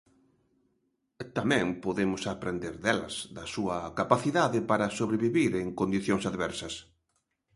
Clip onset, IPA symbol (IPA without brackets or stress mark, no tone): t̪